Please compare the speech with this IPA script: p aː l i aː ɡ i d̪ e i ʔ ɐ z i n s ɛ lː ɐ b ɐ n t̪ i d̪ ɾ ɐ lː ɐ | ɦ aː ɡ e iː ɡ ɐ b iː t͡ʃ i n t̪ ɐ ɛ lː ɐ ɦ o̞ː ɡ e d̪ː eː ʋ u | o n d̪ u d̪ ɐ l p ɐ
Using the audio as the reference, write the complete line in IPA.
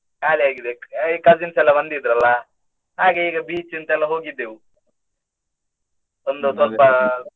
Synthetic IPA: k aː l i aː ɡ i d̪ e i k ɐ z i n s ɛ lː ɐ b ɐ n d̪ i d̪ ɾ ɐ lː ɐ | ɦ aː ɡ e iː ɡ ɐ b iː t͡ʃ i n t̪ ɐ ɛ lː ɐ ɦ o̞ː ɡ i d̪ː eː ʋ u | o n d̪ u t̪ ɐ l p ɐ